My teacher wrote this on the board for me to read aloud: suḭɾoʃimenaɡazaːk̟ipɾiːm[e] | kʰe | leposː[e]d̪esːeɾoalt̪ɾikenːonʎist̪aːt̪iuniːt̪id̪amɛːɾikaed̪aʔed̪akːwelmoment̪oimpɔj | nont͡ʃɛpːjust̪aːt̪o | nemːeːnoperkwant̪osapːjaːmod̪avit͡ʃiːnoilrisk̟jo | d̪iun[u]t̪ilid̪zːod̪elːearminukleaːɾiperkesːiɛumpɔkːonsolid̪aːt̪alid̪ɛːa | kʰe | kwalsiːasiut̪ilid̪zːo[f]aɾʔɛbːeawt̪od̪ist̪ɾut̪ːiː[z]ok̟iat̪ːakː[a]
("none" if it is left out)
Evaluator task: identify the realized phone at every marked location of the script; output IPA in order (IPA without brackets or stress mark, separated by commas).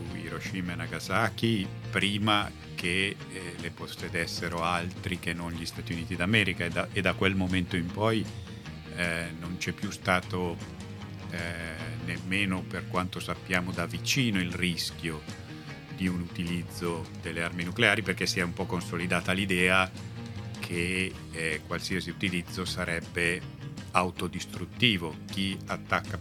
a, e, u, s, v, a